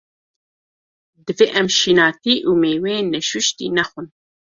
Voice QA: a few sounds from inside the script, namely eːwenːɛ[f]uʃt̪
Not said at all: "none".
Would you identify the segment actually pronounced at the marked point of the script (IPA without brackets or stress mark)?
ʃ